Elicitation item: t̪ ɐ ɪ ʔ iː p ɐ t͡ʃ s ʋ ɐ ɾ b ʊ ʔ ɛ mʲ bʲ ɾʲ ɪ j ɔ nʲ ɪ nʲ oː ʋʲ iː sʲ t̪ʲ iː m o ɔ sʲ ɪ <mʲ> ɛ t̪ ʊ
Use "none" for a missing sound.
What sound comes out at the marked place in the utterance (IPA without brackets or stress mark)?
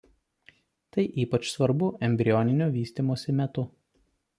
mʲ